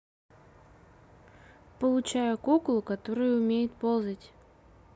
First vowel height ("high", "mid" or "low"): mid